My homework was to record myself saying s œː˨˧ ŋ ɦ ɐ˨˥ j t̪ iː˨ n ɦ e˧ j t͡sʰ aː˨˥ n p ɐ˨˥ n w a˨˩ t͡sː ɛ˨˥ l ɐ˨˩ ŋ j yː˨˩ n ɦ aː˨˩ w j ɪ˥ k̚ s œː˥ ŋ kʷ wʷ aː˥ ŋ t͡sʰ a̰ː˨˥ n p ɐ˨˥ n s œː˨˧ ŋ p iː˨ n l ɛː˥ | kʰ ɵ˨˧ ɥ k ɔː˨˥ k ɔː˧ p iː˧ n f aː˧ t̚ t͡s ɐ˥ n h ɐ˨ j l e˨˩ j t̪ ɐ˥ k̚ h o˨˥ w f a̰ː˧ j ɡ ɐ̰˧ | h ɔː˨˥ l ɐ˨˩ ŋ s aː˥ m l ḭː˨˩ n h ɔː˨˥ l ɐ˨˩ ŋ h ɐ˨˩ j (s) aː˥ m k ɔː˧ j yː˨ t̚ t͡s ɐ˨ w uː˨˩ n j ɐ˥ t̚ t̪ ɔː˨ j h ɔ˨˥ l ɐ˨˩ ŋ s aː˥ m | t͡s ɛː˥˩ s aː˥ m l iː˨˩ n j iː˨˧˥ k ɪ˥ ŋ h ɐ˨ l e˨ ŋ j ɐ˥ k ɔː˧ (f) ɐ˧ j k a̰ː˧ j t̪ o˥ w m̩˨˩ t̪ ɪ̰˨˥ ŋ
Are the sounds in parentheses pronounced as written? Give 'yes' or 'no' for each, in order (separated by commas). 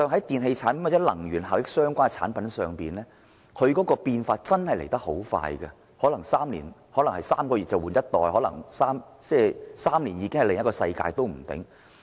yes, no